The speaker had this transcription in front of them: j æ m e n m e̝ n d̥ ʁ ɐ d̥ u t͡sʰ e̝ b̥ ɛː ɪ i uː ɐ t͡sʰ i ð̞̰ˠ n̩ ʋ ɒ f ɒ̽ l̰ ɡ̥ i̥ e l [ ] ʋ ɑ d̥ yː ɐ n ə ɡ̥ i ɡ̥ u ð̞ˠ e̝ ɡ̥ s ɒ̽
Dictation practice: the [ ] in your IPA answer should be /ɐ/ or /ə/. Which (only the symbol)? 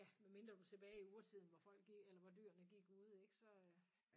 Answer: ɐ